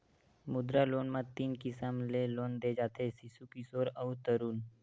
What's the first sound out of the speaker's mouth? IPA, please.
m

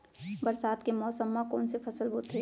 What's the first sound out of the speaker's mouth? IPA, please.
b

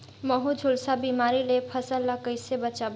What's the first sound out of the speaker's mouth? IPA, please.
m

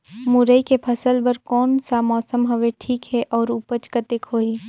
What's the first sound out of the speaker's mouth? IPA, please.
m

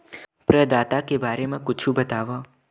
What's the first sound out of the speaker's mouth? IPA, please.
p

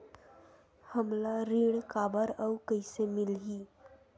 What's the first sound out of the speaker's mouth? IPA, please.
h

